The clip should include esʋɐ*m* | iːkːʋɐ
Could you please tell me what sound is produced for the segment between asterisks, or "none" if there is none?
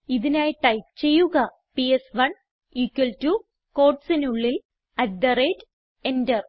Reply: ɳ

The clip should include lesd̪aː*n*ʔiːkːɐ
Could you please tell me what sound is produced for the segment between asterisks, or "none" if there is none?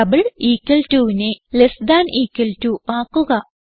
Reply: n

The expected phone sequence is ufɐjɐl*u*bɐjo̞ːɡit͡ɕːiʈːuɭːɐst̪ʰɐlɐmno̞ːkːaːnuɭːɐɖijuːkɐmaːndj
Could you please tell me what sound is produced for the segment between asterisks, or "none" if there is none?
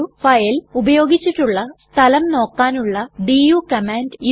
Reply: u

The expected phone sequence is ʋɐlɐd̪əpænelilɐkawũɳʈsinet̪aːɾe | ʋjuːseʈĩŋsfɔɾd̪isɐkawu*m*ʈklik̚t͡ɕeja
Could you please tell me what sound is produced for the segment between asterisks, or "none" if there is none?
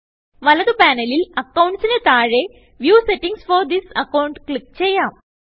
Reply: ɳ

